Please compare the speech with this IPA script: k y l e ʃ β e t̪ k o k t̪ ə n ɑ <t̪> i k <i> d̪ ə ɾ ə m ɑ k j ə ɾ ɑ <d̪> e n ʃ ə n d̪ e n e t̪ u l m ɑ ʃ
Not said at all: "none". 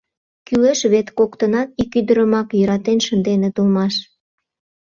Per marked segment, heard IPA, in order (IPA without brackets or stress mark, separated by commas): t̪, y, t̪